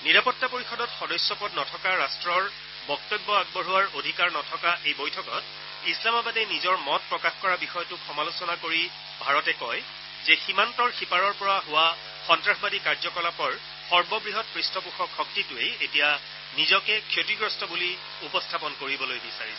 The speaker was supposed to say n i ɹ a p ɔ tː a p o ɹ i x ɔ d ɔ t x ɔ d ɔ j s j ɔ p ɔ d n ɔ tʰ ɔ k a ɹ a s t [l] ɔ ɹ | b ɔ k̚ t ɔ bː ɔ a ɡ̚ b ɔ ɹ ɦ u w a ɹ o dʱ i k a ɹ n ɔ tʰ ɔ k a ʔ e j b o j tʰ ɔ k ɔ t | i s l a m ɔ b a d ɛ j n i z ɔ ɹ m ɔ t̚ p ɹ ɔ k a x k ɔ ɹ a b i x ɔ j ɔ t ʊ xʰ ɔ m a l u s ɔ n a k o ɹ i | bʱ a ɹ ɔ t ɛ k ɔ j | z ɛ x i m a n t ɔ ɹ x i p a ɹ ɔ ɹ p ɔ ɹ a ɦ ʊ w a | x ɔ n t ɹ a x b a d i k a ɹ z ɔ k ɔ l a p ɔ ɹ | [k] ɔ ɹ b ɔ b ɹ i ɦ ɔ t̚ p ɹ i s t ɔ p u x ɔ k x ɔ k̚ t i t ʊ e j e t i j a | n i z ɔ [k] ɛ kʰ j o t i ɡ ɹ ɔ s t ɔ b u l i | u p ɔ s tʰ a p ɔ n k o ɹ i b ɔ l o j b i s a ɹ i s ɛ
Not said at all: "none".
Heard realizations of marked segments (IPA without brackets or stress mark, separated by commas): ɹ, x, k